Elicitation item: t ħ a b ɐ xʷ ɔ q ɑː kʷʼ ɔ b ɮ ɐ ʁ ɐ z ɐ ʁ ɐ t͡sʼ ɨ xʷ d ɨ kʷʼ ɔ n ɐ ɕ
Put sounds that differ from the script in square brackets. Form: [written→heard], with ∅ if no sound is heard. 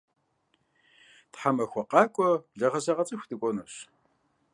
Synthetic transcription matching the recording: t ħ a [b→m] ɐ xʷ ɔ q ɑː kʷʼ ɔ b ɮ ɐ ʁ ɐ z ɐ ʁ ɐ t͡sʼ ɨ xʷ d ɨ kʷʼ ɔ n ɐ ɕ